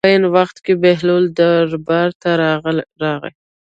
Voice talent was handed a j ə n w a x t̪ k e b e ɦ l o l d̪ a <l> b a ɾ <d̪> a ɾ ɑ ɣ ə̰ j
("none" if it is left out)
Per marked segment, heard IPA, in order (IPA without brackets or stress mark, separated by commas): ɾ, t̪